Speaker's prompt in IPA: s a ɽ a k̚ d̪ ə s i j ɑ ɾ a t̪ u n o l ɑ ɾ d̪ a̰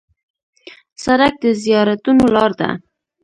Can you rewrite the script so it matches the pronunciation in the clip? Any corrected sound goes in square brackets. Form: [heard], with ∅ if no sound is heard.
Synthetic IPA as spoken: s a [ɾ] a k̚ d̪ ə [z] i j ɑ ɾ a t̪ u n o l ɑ ɾ d̪ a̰